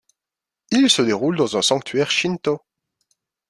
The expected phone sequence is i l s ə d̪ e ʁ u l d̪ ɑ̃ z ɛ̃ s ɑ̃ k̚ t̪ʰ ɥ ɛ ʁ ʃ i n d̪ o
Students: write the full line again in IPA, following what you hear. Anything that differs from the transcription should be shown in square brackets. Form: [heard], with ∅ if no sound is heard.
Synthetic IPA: i l s ə d̪ e ʁ u l d̪ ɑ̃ z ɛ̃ s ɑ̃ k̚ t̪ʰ ɥ ɛ ʁ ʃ i n [t̪] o